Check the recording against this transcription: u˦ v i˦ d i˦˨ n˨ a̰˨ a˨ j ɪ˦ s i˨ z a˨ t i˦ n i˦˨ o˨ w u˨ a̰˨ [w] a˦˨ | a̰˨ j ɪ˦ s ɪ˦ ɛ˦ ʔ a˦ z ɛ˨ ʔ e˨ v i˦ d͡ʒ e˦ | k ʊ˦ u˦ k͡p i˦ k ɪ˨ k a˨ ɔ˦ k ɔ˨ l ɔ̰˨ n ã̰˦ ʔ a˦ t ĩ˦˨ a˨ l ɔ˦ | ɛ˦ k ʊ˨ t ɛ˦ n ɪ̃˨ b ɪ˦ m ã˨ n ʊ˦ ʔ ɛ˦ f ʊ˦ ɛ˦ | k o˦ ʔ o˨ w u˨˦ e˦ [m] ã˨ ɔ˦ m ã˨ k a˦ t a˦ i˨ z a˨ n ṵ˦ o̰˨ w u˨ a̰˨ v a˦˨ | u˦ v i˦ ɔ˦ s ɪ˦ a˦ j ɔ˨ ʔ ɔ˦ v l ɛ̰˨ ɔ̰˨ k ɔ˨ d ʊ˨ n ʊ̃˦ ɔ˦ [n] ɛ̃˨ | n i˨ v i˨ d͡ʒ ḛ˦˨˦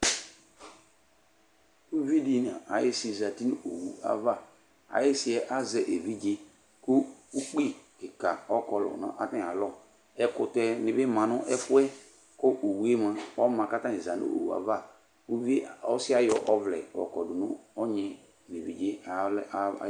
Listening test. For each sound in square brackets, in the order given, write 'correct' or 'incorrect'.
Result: incorrect: v, correct, incorrect: ɲ

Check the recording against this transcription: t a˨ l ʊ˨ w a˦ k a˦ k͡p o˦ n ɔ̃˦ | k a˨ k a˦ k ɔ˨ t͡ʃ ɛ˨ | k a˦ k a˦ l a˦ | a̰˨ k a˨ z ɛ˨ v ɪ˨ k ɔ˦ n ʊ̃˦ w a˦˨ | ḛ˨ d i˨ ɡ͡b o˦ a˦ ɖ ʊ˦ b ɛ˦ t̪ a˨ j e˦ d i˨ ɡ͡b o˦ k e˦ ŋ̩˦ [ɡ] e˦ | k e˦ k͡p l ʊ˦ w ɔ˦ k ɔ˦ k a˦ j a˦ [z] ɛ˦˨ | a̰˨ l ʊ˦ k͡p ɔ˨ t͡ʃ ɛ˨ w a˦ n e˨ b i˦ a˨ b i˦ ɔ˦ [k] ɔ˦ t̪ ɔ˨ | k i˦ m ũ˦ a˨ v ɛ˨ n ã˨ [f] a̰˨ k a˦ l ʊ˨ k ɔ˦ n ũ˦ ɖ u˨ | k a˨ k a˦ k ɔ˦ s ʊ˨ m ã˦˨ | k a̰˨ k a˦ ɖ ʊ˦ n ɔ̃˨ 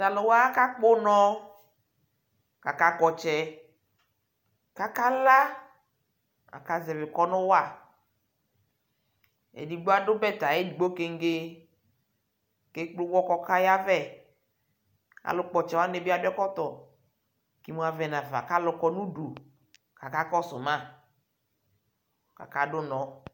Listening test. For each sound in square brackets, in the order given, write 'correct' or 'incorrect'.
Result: correct, incorrect: v, correct, incorrect: v

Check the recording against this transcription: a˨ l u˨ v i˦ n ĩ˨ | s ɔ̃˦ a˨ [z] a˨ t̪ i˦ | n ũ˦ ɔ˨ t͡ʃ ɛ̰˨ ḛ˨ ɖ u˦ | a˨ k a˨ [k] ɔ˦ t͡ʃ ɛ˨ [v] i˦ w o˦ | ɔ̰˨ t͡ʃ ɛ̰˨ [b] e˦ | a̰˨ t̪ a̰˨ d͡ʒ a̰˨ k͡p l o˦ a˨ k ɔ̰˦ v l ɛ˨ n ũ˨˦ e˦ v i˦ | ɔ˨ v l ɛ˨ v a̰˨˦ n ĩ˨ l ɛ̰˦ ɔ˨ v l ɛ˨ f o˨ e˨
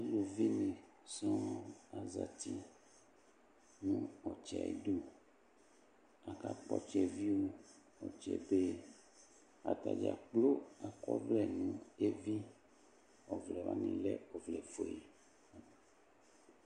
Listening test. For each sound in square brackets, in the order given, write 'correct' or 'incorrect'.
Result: correct, incorrect: k͡p, correct, correct

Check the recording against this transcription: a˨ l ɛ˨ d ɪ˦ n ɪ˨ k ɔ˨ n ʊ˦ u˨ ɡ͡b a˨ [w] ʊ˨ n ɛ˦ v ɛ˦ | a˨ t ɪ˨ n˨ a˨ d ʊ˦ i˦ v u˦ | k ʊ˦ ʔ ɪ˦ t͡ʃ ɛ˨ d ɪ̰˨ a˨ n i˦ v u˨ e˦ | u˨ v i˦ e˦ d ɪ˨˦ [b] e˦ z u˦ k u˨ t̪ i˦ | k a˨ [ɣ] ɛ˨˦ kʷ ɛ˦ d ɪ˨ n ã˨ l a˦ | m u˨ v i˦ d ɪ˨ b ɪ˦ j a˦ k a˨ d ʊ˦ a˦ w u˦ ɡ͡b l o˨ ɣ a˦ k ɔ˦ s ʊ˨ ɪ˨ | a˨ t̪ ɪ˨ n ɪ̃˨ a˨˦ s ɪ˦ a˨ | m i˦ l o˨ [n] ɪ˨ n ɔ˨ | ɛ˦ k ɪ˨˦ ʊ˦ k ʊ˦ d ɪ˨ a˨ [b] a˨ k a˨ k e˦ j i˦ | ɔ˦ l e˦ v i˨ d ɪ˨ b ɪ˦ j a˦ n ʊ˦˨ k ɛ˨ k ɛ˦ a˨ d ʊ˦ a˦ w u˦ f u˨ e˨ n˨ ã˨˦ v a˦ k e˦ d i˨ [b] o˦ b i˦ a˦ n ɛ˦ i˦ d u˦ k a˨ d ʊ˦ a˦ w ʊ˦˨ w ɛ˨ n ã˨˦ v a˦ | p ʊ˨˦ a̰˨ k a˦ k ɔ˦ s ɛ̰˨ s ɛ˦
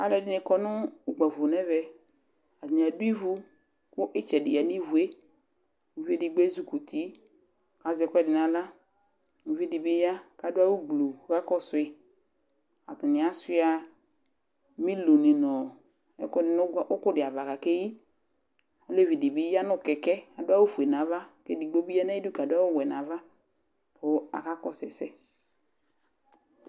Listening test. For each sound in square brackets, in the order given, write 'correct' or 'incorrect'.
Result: incorrect: v, incorrect: ɡ͡b, incorrect: z, correct, incorrect: v, incorrect: ɡ͡b

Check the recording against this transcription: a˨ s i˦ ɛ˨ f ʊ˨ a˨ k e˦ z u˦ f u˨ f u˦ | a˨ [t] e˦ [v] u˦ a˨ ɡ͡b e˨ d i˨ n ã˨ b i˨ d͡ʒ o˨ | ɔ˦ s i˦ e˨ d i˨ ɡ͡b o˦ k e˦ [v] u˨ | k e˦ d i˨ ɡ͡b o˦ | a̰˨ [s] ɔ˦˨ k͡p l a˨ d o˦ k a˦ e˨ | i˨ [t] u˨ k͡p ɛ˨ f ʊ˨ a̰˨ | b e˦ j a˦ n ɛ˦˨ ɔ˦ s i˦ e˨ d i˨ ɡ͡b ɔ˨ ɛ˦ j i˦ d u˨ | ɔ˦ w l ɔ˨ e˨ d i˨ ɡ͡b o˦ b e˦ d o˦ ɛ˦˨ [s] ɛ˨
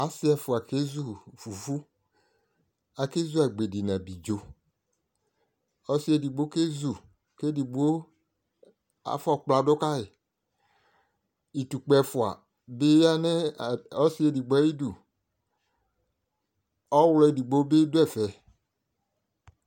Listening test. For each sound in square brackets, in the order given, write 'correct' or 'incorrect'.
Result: incorrect: k, incorrect: z, incorrect: z, incorrect: f, correct, incorrect: f

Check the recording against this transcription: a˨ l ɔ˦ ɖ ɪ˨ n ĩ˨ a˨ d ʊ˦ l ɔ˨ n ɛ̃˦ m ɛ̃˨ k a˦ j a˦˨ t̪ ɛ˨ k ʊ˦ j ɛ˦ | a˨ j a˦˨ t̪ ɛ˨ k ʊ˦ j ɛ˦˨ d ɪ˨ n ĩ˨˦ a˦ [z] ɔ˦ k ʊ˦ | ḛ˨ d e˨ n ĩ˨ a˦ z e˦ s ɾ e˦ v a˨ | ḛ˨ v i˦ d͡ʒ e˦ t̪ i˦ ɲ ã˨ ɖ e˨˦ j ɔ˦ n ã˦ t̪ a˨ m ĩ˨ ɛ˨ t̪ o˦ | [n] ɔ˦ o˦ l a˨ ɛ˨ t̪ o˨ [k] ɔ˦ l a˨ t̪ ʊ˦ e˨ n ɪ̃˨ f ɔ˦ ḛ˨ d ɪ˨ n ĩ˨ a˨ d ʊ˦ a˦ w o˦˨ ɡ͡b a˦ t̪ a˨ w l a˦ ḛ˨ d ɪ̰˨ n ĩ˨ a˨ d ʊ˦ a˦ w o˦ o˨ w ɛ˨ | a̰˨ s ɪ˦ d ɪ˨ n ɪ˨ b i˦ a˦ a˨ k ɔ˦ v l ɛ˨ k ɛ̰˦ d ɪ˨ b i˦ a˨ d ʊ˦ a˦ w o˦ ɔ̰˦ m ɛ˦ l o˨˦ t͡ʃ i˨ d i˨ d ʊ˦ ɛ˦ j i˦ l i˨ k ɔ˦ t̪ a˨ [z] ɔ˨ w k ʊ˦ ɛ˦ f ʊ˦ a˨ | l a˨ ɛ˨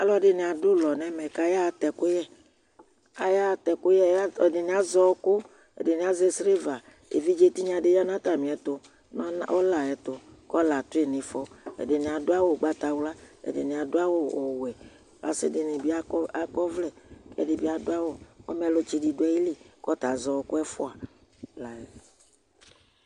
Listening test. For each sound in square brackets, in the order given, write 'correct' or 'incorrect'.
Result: correct, correct, correct, correct

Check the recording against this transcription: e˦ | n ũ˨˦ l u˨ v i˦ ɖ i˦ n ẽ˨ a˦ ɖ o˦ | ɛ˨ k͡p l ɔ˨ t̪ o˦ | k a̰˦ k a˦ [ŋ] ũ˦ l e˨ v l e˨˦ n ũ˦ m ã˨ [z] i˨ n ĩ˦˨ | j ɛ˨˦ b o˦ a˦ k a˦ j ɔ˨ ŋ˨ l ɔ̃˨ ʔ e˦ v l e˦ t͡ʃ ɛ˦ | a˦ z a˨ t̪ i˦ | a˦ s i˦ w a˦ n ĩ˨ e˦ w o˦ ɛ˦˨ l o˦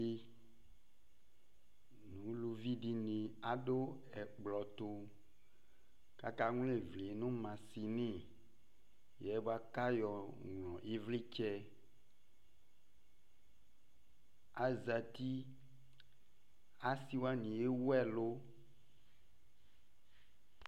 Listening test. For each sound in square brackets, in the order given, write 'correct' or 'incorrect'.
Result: correct, incorrect: s

